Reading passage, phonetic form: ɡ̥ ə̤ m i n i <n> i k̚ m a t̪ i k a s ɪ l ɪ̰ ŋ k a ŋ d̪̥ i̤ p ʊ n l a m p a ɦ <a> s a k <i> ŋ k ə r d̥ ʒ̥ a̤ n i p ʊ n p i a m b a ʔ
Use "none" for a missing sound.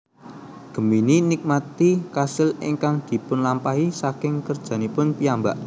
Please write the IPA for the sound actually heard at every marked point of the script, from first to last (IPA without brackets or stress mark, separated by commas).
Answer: n, i, ɪ